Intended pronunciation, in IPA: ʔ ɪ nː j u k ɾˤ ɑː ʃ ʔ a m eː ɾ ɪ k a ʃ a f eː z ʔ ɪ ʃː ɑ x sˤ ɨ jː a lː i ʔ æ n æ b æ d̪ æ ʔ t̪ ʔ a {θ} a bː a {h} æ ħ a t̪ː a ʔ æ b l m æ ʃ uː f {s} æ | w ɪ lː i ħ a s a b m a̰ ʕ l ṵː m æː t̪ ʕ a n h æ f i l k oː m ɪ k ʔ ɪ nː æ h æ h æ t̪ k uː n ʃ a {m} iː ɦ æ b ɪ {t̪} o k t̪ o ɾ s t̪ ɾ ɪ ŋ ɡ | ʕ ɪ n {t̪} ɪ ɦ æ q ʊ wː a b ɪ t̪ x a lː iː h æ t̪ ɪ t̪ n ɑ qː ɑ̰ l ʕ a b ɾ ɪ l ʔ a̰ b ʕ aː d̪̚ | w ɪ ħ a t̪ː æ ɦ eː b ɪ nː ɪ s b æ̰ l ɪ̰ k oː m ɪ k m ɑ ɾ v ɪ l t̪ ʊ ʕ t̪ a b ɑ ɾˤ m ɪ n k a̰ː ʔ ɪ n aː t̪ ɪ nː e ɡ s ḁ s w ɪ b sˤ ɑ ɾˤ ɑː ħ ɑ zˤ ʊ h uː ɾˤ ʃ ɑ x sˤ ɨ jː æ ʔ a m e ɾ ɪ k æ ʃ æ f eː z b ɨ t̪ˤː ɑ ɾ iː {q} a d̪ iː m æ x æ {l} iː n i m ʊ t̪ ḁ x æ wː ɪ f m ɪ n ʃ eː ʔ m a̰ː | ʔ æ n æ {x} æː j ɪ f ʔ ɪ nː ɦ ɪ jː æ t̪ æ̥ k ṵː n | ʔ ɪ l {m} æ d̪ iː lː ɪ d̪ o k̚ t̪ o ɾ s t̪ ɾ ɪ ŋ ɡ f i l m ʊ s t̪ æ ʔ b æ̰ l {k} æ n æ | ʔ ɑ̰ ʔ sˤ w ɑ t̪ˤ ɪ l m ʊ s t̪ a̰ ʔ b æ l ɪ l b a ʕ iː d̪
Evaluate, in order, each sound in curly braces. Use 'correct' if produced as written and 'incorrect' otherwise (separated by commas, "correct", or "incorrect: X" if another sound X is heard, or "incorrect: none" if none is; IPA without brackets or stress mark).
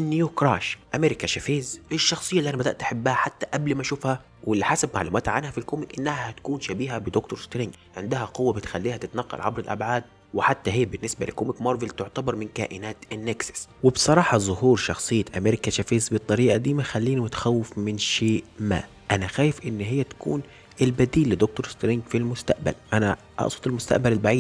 incorrect: ħ, correct, incorrect: h, incorrect: b, incorrect: d̪, incorrect: d̪, incorrect: ʔ, incorrect: lː, correct, incorrect: b, incorrect: ʔ